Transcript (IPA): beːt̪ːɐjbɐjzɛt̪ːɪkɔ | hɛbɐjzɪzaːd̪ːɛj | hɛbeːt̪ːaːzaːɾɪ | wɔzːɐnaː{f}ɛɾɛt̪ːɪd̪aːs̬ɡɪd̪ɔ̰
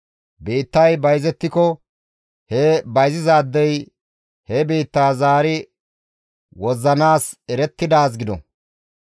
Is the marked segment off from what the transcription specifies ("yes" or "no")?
yes